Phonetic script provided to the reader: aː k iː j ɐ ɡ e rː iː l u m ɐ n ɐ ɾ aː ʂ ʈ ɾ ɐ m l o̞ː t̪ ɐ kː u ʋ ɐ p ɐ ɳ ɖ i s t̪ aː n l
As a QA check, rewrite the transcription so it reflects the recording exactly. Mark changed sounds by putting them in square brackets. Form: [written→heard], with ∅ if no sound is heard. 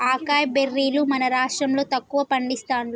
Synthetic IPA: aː k [iː→aː] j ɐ [ɡ→b] e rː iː l u m ɐ n ɐ ɾ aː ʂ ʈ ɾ ɐ m l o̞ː t̪ ɐ kː u ʋ ɐ p ɐ ɳ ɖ i s t̪ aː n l